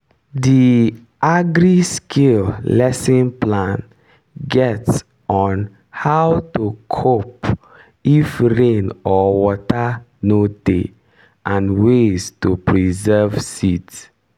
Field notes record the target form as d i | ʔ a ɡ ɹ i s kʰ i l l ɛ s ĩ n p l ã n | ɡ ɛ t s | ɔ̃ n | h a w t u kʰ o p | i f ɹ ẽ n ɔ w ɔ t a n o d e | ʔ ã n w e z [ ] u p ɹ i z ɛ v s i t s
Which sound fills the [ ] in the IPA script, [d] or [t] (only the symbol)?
t